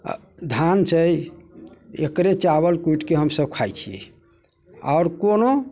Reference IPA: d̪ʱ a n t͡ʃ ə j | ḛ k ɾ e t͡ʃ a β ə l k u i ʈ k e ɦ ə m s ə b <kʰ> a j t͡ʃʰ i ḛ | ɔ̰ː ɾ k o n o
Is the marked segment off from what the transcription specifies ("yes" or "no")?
no